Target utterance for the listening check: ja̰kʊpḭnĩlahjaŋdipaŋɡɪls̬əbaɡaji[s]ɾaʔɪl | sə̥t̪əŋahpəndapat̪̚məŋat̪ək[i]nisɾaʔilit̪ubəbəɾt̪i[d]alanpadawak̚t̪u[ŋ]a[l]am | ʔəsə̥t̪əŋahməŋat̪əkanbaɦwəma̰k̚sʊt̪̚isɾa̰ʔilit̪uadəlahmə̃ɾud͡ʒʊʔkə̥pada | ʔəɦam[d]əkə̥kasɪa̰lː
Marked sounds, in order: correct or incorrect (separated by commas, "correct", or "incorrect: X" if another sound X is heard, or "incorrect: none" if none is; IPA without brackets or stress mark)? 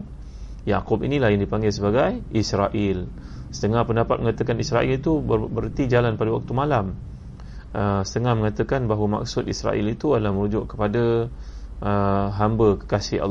correct, incorrect: a, incorrect: d͡ʒ, incorrect: m, correct, incorrect: b